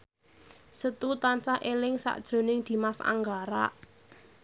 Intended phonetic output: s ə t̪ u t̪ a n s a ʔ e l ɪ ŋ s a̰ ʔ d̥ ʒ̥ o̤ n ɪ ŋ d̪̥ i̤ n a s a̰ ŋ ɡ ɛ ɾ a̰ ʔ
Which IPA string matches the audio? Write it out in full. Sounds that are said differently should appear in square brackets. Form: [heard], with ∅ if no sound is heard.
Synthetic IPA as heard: s ə t̪ u t̪ a n s a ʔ e l ɪ ŋ s a̰ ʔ d̥ ʒ̥ o̤ n ɪ ŋ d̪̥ i̤ [m] a s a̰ ŋ ɡ [a] ɾ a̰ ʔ